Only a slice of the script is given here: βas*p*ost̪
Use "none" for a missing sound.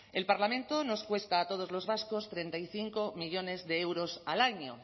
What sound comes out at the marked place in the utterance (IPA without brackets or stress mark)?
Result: k